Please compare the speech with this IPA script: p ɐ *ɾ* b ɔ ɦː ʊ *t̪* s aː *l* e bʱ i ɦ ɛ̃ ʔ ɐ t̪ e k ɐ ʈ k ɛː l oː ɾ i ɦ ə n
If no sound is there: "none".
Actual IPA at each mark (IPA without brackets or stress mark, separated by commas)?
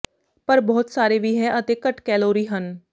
ɾ, t̪, ɾ